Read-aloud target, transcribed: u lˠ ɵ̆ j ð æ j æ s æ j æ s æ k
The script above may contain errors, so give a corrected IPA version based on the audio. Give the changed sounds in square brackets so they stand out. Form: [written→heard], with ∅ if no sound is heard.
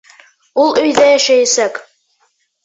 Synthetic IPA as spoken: u lˠ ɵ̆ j ð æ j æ [s→ʃ] æ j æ s æ k